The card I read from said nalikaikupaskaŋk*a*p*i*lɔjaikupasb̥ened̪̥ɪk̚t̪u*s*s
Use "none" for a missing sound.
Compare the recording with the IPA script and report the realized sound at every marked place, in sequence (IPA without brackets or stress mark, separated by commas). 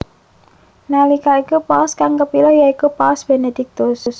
ə, i, s